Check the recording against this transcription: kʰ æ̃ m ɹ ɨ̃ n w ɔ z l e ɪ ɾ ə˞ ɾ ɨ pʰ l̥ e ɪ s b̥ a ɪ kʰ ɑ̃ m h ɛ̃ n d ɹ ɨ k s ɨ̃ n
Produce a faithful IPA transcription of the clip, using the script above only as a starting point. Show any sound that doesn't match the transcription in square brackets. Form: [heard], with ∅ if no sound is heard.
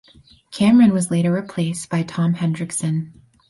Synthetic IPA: kʰ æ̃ m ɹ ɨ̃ n w [ʌ] z l e ɪ ɾ ə˞ [ɹ] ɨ pʰ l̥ e ɪ s b̥ a ɪ [tʰ] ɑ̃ m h ɛ̃ n d ɹ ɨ k s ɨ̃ n